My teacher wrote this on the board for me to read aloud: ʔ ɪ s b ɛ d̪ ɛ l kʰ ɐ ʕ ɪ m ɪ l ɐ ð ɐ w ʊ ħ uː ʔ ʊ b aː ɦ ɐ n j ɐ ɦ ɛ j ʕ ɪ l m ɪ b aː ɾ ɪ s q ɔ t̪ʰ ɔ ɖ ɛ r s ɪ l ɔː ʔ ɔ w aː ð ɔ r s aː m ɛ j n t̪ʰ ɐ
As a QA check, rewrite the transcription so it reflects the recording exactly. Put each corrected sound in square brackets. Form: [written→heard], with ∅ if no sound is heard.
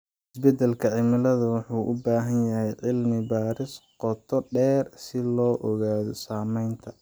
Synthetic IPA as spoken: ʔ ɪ s b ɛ d̪ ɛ l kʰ ɐ ʕ ɪ m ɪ l ɐ ð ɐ w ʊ ħ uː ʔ ʊ b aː ɦ ɐ n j ɐ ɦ ɛ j ʕ ɪ l m ɪ b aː ɾ ɪ s q ɔ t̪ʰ ɔ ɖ [ɛ→ɛː] r s ɪ l ɔː ʔ ɔ [w→ɣ] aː ð ɔ [r→∅] s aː m ɛ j n t̪ʰ ɐ